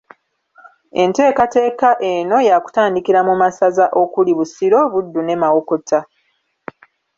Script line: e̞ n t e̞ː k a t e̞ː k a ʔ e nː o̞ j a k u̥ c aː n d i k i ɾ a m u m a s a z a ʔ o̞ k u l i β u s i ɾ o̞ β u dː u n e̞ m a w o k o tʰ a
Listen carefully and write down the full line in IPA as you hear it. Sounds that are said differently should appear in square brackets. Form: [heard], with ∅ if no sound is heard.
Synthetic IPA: e̞ n t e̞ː k a t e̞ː k a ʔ e [n] o̞ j a k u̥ [t] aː n d i k i ɾ a m u m a s a z a ʔ o̞ k u l i β u s i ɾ o̞ β u dː u n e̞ m a w o k o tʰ a